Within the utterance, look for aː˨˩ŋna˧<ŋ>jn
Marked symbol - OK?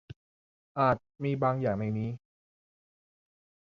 no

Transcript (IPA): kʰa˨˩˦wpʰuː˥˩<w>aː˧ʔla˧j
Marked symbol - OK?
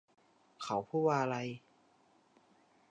yes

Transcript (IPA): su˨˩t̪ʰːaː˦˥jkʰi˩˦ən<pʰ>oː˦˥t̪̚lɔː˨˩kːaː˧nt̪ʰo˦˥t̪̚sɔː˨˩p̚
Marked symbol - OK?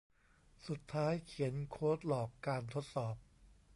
no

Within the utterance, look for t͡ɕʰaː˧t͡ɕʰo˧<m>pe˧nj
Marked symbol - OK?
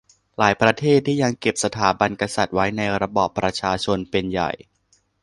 no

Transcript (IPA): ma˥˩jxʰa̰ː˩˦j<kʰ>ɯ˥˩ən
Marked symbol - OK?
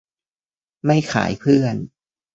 no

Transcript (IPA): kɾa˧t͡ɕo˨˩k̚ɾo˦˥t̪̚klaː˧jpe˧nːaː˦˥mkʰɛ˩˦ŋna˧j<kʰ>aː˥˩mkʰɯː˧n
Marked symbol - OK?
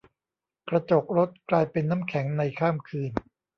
yes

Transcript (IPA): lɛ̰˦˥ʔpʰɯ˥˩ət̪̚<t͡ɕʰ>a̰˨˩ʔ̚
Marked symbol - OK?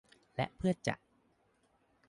no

